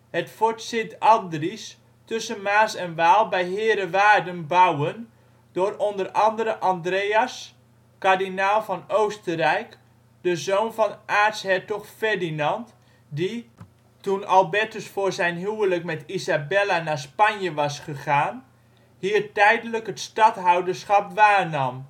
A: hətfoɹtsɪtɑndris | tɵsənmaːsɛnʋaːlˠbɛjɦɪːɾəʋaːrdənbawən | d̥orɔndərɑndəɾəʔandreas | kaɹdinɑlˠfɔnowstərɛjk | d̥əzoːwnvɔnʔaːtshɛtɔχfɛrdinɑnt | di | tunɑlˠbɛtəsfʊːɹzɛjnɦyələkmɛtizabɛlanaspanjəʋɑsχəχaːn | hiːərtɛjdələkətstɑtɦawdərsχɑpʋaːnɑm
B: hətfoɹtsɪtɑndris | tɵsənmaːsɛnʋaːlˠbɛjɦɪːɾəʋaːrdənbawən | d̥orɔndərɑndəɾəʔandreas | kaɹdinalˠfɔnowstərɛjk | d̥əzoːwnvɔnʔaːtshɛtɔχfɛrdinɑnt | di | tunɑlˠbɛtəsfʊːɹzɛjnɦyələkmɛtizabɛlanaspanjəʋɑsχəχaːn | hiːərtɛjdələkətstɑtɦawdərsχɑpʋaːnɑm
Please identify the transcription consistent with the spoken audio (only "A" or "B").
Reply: B